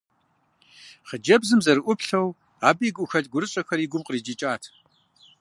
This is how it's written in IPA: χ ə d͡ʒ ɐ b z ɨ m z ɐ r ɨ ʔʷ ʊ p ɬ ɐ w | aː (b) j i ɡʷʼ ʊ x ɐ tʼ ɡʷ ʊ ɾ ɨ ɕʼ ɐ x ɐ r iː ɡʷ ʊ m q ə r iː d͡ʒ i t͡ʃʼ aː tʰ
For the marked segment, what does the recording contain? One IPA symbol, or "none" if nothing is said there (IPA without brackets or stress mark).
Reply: b